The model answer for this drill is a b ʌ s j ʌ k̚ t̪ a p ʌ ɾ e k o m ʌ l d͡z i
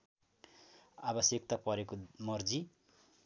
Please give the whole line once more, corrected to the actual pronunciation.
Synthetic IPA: a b ʌ s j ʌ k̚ t̪ a p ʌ ɾ e k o m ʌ r d͡z i